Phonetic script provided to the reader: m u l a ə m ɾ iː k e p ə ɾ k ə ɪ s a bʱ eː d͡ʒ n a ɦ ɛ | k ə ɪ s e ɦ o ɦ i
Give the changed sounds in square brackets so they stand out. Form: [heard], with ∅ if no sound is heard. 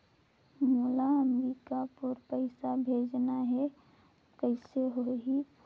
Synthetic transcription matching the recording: m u l a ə m ɾ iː k [a] p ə ɾ [p] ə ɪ s a bʱ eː d͡ʒ n a ɦ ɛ | k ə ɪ s e ɦ o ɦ i

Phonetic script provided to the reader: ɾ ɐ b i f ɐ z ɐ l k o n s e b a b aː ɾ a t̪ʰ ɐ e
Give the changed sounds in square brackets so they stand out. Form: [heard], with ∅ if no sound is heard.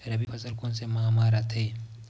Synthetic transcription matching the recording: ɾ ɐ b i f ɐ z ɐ l k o n s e [m] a [m] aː ɾ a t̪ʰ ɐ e

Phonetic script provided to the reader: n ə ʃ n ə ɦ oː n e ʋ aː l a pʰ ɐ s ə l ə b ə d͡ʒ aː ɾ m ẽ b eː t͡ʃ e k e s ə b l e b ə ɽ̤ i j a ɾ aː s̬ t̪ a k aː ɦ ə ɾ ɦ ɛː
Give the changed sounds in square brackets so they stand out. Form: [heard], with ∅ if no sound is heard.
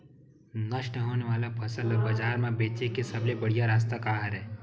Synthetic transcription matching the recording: n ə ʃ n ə ɦ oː n e ʋ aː l a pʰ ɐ s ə l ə b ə d͡ʒ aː ɾ m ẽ b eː t͡ʃ e k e s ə b l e b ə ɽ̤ i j a ɾ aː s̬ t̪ a k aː ɦ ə ɾ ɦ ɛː

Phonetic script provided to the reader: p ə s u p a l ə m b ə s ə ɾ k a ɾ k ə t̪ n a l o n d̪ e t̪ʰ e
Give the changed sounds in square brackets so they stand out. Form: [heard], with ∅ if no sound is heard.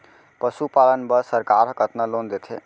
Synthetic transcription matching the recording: p ə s u p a l ə [n] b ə s ə ɾ k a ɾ k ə t̪ n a l o n d̪ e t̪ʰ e

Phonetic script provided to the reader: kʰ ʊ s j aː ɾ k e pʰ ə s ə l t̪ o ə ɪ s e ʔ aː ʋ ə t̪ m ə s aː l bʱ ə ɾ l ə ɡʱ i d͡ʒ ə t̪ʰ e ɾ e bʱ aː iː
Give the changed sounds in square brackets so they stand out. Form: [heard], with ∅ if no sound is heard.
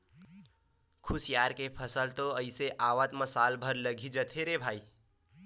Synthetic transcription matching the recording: kʰ ʊ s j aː ɾ k e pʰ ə s ə l t̪ o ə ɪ s e ʔ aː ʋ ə t̪ m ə s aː l bʱ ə ɾ l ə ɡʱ i d͡ʒ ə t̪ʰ e ɾ e bʱ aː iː

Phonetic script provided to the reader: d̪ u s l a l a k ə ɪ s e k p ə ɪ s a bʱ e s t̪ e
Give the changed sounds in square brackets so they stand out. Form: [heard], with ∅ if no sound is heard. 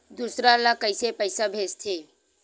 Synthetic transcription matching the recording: d̪ u s [ɾ] a l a k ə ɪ s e [∅] p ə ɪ s a bʱ e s [t̪ʰ] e

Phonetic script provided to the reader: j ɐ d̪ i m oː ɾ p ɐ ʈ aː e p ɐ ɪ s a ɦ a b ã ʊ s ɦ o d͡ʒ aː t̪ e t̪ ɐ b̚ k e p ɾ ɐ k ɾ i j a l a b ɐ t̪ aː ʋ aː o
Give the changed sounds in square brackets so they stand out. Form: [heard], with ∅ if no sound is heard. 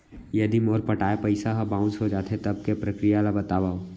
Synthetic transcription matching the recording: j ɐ d̪ i m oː ɾ p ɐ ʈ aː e p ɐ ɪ s a ɦ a b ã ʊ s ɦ o d͡ʒ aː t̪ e t̪ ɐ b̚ k e p ɾ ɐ k ɾ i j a l a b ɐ t̪ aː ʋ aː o

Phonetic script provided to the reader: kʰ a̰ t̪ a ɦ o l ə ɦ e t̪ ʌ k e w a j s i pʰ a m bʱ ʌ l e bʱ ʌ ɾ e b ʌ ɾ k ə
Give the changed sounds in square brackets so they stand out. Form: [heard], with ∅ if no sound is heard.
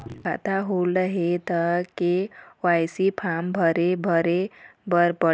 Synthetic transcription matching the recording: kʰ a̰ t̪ a ɦ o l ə ɦ e t̪ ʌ k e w a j s i pʰ a m bʱ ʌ [ɾ] e bʱ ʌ ɾ e b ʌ ɾ [p] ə

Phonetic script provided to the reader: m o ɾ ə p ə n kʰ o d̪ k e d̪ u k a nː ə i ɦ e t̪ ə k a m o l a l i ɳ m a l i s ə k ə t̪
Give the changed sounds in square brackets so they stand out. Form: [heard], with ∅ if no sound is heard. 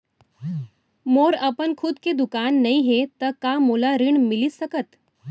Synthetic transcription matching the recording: m o ɾ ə p ə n kʰ [u] d̪ k e d̪ u k a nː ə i ɦ e t̪ ə k a m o l a [ɾ] i ɳ m [i] l i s ə k ə t̪

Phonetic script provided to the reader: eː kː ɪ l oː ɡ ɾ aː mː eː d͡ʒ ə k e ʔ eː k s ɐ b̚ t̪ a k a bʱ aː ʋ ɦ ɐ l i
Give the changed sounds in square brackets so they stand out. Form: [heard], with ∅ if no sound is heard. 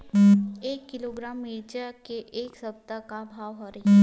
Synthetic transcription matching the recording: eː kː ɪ l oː ɡ ɾ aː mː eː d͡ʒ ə k e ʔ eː k s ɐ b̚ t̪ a k a bʱ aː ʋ ɦ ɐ [ɾ] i

